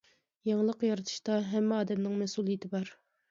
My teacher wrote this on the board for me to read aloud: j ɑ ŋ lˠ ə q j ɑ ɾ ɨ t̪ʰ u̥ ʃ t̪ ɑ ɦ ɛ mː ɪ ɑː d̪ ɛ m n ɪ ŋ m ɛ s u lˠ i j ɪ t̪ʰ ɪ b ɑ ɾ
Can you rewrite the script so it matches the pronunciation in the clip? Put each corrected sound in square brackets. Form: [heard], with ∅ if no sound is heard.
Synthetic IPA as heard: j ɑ ŋ lˠ ə q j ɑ ɾ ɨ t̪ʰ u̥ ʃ t̪ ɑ ɦ ɛ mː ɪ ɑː d̪ ɛ m n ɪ ŋ m ɛ s u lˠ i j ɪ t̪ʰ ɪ b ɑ ɾ